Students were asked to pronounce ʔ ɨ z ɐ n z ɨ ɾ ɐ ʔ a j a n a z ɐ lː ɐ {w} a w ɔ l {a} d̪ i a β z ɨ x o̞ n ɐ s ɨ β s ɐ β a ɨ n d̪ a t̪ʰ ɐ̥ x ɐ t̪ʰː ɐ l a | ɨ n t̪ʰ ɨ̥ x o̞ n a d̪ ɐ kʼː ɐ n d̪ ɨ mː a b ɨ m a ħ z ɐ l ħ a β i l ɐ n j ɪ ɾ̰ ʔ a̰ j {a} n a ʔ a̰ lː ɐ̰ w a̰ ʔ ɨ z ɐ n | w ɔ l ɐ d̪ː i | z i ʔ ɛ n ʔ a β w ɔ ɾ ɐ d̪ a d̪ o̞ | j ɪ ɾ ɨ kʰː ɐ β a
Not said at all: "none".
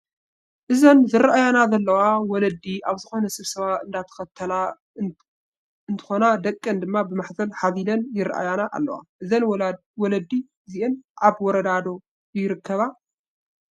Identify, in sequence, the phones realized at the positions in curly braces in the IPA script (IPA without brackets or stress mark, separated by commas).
w, ɐ, a